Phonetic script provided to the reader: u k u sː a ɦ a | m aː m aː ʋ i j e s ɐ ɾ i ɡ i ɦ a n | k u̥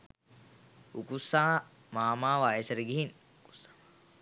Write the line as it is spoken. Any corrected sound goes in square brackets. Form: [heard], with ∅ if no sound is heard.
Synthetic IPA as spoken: u k u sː a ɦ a | m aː m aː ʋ [a] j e s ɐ ɾ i ɡ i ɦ [i] n | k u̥